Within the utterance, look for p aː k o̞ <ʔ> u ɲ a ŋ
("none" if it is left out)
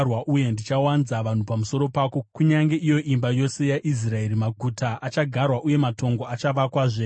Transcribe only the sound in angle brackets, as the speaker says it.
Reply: k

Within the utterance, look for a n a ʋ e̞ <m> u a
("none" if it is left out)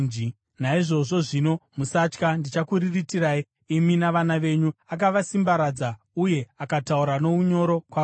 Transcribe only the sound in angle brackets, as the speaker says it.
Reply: ɲ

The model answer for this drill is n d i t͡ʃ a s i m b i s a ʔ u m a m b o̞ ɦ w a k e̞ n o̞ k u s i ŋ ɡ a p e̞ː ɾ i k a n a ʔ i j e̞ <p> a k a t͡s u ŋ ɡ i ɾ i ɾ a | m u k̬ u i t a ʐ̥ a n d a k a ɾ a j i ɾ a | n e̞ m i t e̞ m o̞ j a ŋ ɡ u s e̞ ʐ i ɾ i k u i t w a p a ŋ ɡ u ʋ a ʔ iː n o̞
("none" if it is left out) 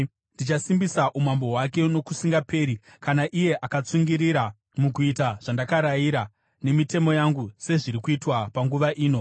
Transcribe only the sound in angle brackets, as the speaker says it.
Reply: ʔ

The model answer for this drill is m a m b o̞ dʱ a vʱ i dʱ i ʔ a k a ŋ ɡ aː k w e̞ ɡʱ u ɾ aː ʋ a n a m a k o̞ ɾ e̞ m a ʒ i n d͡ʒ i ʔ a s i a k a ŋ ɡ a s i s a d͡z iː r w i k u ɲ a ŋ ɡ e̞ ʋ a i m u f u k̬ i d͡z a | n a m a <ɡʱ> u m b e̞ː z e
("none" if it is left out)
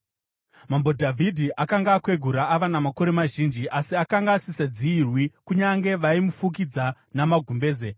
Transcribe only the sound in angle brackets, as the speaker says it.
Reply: ɡʱ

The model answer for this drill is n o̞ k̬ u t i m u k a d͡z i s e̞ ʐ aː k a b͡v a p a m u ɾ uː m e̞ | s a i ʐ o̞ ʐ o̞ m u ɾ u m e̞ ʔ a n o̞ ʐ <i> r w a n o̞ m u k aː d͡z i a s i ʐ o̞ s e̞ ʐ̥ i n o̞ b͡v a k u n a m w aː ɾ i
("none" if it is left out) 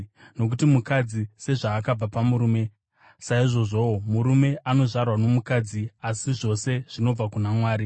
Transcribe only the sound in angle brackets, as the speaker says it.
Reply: a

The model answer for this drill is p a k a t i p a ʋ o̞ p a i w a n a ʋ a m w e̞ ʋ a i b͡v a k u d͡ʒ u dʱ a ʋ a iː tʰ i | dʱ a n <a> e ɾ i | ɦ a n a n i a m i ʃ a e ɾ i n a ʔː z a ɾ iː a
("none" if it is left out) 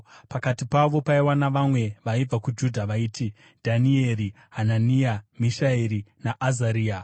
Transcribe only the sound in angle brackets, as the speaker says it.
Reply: i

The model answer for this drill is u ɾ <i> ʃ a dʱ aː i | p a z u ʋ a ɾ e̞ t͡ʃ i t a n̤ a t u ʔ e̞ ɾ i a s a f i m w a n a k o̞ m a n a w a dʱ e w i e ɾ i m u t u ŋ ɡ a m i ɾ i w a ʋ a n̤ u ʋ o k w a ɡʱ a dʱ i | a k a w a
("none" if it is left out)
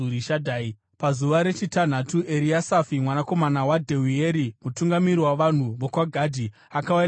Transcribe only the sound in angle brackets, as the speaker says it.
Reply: i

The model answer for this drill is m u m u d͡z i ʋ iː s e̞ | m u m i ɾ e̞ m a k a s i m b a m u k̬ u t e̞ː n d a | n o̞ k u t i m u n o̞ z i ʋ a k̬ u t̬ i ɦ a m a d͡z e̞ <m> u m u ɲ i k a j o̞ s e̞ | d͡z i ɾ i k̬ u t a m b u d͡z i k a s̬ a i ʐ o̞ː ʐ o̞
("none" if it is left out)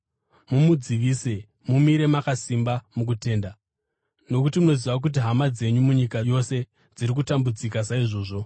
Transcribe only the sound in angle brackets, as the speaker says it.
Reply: ɲ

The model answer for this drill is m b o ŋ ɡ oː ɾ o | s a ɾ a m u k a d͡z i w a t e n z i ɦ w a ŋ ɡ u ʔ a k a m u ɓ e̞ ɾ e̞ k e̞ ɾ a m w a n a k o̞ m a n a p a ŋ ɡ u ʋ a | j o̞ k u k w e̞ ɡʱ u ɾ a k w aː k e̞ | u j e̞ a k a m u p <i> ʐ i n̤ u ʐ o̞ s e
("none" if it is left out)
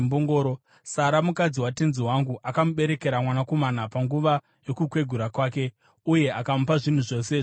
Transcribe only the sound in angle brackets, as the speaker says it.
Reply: a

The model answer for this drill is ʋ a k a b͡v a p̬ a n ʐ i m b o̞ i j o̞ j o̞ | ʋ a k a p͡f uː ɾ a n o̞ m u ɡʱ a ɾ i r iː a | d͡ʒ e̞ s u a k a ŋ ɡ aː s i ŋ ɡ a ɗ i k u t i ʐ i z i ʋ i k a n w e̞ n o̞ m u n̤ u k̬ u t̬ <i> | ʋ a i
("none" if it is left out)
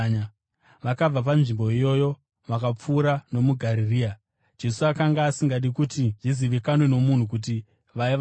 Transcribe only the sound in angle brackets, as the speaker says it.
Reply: i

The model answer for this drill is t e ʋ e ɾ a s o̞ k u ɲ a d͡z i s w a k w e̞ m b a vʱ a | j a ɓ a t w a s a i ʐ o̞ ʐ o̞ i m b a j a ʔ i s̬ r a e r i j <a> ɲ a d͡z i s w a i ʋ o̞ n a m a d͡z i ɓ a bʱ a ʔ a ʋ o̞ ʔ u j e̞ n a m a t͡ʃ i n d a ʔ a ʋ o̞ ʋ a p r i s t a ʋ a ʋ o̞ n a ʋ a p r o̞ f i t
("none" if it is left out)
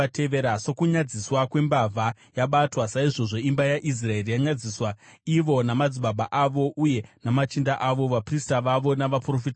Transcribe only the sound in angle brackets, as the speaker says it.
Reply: a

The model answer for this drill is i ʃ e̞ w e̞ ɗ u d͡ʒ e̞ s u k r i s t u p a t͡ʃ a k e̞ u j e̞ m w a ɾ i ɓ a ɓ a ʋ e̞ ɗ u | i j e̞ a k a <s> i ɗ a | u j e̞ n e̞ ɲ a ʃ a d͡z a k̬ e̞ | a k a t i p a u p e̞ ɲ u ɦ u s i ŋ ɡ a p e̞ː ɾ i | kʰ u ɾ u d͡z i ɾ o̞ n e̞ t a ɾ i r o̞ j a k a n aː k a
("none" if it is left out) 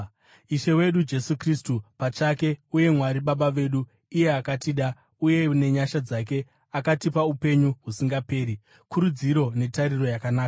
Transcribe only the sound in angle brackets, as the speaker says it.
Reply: t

